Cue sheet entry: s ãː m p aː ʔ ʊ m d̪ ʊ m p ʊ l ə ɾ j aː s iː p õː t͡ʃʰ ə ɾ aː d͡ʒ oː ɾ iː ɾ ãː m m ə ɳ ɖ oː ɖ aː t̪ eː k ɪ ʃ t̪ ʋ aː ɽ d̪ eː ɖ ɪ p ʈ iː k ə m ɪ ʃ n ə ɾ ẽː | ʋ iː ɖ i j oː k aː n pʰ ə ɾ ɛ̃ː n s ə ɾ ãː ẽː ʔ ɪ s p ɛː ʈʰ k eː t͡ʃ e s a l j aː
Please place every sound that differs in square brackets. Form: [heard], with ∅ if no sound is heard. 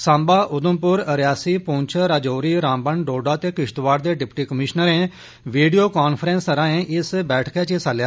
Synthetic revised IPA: s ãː m [b] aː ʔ ʊ [∅] d̪ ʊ m p ʊ [ɾ] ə ɾ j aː s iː p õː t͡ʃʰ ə ɾ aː d͡ʒ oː ɾ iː ɾ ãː m [b] ə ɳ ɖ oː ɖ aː t̪ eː k ɪ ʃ t̪ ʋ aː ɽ d̪ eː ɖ ɪ p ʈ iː k ə m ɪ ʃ n ə ɾ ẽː | ʋ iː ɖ i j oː k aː n pʰ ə ɾ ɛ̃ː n s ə ɾ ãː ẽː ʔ ɪ s [b] ɛː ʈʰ k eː t͡ʃ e s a l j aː